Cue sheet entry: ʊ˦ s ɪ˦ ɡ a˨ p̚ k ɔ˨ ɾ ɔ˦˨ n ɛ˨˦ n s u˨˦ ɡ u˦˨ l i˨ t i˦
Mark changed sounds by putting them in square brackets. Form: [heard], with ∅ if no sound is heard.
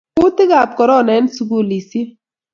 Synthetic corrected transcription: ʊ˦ [t] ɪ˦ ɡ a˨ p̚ k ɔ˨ ɾ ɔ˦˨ n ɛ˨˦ n s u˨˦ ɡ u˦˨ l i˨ [s] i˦